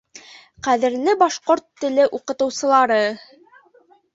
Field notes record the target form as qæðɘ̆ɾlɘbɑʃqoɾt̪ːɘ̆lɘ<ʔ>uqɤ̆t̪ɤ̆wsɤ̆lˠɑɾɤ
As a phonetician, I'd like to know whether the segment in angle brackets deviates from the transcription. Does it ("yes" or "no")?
no